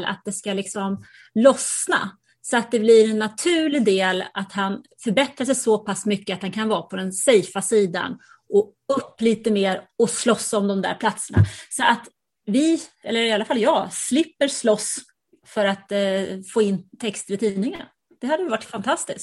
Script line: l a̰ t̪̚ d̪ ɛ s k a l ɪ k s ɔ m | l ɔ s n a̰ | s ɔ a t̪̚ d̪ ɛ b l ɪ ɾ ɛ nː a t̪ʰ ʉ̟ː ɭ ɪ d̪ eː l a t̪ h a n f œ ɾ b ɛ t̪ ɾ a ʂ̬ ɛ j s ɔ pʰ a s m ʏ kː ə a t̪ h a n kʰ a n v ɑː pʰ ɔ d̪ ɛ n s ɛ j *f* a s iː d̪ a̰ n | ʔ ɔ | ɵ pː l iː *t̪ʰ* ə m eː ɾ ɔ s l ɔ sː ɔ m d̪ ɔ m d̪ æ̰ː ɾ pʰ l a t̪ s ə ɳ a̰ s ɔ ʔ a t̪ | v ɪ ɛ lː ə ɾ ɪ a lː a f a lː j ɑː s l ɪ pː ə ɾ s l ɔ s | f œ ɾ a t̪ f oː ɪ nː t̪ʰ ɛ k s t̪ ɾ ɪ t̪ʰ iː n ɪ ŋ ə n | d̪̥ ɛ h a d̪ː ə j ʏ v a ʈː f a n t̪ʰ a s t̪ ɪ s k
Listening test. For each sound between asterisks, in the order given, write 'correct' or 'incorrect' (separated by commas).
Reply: correct, incorrect